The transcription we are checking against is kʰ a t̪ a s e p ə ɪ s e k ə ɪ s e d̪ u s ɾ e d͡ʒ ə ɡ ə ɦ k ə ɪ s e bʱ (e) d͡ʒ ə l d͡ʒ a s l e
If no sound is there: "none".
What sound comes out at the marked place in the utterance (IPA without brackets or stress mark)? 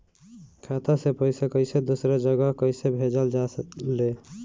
e